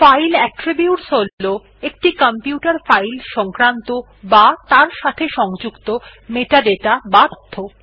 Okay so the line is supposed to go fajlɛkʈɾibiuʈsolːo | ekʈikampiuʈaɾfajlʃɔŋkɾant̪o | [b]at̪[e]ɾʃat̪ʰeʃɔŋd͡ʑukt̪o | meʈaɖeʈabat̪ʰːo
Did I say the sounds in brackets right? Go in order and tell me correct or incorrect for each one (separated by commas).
correct, incorrect